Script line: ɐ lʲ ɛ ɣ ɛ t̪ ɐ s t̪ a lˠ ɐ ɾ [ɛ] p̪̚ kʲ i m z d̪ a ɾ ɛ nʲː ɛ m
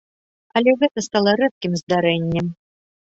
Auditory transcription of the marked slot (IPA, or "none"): ɛ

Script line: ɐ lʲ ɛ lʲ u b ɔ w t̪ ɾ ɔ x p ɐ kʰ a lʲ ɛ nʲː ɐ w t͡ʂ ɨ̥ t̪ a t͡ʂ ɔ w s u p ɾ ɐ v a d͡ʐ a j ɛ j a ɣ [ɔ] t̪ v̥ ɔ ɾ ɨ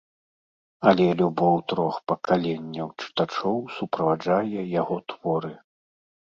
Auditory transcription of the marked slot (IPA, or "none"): ɔ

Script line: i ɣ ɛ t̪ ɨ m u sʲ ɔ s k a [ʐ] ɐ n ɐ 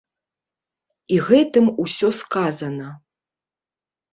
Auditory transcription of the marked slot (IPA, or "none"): z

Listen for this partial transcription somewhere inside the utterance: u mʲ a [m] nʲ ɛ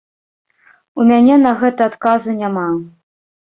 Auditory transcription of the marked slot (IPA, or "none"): none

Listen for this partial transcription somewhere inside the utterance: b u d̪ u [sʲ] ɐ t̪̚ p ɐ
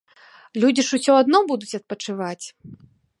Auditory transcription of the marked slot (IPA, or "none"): t͡sʲ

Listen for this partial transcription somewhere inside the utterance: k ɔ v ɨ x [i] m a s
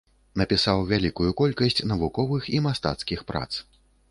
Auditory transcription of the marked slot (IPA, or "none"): i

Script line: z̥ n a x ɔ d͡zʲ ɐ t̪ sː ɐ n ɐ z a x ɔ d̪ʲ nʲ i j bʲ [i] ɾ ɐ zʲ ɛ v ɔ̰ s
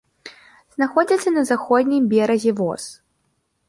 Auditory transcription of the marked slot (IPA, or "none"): ɛ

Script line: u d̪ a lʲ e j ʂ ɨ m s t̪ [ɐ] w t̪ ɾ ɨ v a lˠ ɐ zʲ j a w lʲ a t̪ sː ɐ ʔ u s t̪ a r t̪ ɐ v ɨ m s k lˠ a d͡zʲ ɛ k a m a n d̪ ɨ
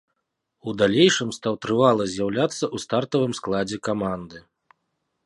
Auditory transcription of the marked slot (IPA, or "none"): a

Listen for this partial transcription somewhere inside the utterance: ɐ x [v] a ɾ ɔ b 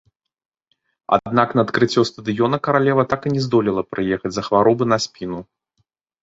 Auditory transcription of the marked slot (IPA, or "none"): v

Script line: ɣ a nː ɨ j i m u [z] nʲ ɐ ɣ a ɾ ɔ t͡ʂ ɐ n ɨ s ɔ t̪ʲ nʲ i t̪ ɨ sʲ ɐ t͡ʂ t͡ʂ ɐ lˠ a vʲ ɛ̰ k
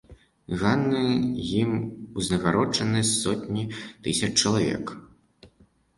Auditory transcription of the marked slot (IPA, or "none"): z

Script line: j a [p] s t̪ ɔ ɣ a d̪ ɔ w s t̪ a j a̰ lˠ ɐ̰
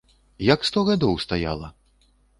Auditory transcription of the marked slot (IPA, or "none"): k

